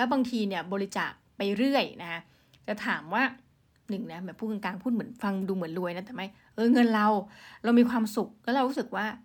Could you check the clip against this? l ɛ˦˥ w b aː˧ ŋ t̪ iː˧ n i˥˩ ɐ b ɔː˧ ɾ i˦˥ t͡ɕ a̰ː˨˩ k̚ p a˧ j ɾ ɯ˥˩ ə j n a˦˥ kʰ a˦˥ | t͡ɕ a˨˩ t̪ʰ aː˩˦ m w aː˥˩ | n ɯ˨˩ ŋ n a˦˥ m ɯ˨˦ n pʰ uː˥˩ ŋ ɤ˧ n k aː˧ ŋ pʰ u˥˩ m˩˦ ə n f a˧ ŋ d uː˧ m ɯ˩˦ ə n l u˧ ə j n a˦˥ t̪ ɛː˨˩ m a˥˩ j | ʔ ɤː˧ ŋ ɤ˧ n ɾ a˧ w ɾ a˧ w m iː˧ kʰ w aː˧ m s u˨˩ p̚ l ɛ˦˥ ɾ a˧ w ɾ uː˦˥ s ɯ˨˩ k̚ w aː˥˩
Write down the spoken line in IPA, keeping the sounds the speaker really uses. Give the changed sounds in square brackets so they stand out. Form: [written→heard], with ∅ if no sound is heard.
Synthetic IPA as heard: l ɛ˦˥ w b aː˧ ŋ [t̪→t̪ʰ] iː˧ n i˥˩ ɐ b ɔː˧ ɾ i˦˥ t͡ɕ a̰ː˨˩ k̚ p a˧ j ɾ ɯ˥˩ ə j n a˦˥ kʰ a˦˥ | t͡ɕ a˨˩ t̪ʰ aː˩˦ m w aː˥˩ | n ɯ˨˩ ŋ n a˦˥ m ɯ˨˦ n pʰ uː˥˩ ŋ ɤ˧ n k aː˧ ŋ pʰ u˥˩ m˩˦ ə n f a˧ ŋ d uː˧ m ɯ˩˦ ə n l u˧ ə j n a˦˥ t̪ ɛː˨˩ m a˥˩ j | ʔ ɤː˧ ŋ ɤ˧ n ɾ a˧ w ɾ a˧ w m iː˧ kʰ w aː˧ m s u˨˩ [p̚→k̚] l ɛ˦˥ ɾ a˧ w ɾ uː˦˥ s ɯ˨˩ k̚ w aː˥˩